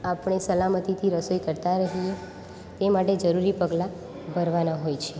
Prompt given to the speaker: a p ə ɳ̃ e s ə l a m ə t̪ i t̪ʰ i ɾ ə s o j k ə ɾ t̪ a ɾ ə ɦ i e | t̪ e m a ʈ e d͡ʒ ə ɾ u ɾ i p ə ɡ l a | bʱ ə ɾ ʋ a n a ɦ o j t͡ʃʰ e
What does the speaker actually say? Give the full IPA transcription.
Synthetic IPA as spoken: a p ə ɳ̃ e s ə l a m ə t̪ i t̪ʰ i ɾ ə s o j k ə ɾ t̪ a ɾ ə ɦ i e | t̪ e m a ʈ e d͡ʒ ə ɾ u ɾ i p ə ɡ l a | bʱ ə ɾ ʋ a n a ɦ o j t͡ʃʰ e